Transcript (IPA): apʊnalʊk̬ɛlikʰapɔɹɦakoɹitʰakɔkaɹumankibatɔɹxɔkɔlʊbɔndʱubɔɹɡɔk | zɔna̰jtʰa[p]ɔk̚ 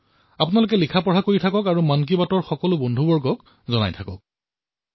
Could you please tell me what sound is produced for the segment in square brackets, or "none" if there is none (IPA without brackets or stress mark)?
k